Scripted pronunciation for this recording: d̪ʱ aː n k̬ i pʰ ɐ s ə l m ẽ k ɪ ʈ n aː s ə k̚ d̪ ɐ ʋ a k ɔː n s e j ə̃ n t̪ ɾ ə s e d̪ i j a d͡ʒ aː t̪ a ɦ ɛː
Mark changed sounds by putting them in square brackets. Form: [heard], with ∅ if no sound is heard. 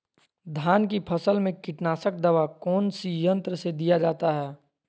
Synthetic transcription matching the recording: d̪ʱ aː n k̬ i pʰ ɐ s ə l m ẽ k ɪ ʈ n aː s ə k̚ d̪ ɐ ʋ a k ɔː n s [i] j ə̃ n t̪ ɾ ə s e d̪ i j a d͡ʒ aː t̪ a ɦ ɛː